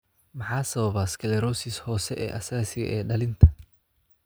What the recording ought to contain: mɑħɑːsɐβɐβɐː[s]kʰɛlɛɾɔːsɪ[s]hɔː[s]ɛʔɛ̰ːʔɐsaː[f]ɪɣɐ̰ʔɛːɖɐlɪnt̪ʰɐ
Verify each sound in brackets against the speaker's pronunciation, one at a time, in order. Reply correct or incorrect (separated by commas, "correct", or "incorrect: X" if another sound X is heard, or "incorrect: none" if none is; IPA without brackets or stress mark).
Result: correct, correct, correct, incorrect: s